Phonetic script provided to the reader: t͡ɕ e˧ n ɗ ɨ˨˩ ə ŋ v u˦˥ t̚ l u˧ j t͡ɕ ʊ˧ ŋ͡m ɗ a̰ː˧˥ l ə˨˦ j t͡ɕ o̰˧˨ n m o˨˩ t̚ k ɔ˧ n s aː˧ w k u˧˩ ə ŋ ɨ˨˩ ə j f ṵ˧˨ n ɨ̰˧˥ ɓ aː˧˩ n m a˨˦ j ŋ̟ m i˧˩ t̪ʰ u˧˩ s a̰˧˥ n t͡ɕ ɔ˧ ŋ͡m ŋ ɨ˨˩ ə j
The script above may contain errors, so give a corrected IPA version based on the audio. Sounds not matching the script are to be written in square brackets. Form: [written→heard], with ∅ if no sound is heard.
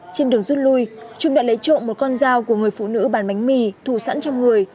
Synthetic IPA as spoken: t͡ɕ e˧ n ɗ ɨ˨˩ ə ŋ [v→z] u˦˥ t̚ l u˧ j t͡ɕ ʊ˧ ŋ͡m ɗ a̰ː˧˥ l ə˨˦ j t͡ɕ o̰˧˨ n m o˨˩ t̚ k ɔ˧ n [s→z] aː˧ w k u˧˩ ə ŋ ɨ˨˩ ə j f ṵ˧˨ n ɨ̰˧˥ ɓ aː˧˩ n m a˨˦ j ŋ̟ m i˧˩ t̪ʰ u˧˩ s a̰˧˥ n t͡ɕ ɔ˧ ŋ͡m ŋ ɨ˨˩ ə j